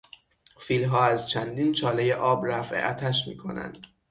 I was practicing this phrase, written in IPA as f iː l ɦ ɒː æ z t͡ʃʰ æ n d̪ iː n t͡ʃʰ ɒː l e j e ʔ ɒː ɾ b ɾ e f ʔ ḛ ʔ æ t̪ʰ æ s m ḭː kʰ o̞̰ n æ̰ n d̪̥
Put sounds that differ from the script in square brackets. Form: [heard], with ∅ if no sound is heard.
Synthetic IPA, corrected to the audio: f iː l ɦ ɒː æ z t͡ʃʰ æ n d̪ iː n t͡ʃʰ ɒː l e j e ʔ ɒː [∅] b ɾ [æ] f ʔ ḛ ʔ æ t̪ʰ æ [ʃ] m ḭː kʰ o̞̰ n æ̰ n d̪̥